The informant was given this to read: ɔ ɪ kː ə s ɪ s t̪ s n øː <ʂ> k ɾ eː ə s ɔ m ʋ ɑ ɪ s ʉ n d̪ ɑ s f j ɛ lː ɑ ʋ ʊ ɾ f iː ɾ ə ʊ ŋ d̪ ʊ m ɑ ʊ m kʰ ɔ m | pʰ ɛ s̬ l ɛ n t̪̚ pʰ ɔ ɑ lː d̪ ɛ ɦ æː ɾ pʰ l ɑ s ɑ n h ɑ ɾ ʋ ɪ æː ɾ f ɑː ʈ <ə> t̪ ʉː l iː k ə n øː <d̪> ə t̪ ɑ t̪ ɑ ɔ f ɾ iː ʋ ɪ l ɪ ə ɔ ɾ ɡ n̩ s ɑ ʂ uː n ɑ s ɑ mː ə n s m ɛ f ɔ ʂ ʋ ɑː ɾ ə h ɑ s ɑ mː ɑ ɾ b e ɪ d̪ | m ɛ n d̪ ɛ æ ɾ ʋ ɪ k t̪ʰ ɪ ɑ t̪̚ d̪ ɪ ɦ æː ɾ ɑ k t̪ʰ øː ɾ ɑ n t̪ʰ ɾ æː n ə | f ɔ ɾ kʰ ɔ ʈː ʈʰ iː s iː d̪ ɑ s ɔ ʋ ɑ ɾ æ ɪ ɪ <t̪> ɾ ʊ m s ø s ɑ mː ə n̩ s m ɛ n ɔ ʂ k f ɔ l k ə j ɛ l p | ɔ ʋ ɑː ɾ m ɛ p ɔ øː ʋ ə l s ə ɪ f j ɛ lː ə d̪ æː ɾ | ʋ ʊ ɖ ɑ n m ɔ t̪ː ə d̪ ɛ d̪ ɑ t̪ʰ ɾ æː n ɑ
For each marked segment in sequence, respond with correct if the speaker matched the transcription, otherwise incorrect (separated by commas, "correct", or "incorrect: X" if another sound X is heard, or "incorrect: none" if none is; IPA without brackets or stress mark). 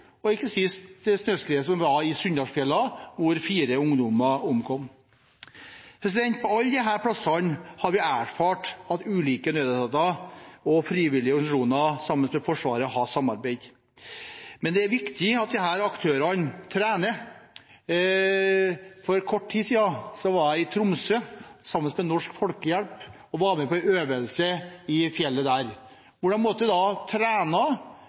incorrect: s, incorrect: ɑ, correct, incorrect: t̪ʰ